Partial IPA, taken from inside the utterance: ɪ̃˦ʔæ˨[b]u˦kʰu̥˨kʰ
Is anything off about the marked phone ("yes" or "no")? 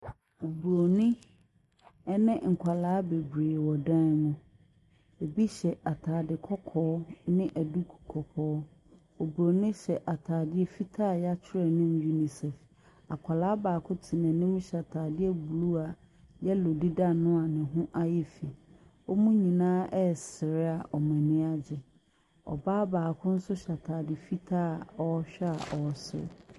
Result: yes